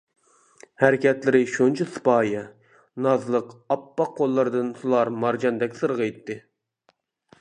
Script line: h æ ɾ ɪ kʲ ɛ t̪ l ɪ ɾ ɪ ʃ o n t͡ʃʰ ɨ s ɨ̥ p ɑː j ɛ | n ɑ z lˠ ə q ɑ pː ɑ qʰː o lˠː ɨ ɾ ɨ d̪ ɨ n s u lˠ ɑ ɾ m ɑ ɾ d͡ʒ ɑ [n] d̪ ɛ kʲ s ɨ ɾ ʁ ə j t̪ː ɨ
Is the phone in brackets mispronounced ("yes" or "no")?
no